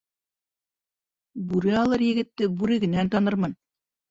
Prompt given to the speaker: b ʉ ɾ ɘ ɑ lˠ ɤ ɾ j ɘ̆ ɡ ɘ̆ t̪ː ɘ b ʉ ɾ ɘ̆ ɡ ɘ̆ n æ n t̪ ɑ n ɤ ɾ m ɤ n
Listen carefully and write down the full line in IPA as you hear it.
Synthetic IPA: b ʉ ɾ ɘ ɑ lˠ ɤ ɾ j ɘ̆ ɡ ɘ̆ t̪ː ɘ b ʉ ɾ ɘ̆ ɡ ɘ̆ n æ n t̪ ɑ n ɤ ɾ m ɤ n